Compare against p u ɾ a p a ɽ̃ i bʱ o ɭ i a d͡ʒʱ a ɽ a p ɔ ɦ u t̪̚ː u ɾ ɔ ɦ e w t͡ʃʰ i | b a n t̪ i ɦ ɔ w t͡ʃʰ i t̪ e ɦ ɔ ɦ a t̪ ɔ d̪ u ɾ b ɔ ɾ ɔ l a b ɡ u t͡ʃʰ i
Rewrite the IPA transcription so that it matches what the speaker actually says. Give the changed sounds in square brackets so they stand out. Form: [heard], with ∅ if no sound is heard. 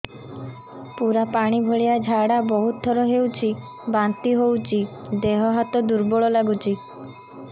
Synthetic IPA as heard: p u ɾ a p a ɽ̃ i bʱ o ɭ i a d͡ʒʱ a ɽ a [b] ɔ ɦ u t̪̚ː [ɔ] ɾ ɔ ɦ e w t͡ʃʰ i | b a n t̪ i ɦ [o] w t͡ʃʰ i [d̪] e ɦ ɔ ɦ a t̪ ɔ d̪ u ɾ b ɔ [ɭ] ɔ l a [∅] ɡ u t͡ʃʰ i